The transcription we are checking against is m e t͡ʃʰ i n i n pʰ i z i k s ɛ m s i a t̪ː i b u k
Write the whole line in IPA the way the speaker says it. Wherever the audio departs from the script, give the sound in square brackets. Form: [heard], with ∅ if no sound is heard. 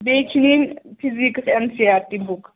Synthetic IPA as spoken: [b] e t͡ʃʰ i n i n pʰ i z i k s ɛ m s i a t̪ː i b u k